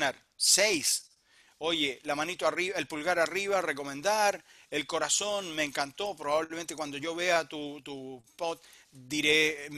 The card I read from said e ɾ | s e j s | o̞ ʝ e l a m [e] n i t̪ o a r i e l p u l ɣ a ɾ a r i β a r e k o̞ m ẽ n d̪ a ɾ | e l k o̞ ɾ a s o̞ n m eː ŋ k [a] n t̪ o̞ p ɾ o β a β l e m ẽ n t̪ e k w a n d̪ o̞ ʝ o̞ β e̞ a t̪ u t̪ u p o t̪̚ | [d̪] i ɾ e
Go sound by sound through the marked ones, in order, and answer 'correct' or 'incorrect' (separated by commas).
incorrect, correct, correct